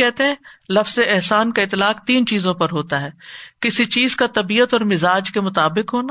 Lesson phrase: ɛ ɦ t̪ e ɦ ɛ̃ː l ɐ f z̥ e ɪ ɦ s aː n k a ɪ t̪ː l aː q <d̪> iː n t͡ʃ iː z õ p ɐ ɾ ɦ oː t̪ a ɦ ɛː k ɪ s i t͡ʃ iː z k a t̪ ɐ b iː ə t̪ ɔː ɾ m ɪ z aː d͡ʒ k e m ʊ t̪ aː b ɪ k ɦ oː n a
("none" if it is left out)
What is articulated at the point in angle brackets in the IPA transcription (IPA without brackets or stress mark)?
t̪